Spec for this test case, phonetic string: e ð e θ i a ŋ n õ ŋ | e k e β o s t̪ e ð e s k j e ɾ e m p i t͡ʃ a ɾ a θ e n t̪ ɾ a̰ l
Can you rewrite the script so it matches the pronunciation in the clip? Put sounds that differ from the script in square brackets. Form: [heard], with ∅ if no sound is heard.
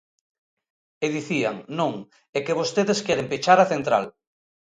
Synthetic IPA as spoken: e ð [i] θ i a ŋ n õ ŋ | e k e β o s t̪ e ð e s k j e ɾ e m p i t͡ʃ a ɾ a θ e n t̪ ɾ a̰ l